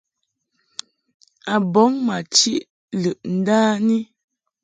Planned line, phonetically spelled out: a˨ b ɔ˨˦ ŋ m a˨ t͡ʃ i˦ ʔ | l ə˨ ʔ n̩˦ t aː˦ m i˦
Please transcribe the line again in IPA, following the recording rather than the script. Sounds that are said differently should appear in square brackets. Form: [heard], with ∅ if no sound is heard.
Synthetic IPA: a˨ b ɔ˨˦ ŋ m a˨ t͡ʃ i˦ ʔ | l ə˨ ʔ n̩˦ [d] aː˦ [n] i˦